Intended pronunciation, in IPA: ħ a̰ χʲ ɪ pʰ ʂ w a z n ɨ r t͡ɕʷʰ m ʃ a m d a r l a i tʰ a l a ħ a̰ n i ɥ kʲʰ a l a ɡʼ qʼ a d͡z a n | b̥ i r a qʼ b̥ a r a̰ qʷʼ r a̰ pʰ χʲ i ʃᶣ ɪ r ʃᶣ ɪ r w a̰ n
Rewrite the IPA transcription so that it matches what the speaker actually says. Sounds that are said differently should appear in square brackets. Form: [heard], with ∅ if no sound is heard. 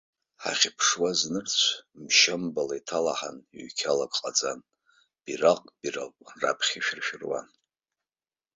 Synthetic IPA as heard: ħ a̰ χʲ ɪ pʰ ʂ w a z n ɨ r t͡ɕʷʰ m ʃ a m [b] a [∅] l a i tʰ a l a ħ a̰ n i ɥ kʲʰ a l a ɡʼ qʼ a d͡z a n | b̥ i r a qʼ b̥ [i] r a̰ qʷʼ r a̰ pʰ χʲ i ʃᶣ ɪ r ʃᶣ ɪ r w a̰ n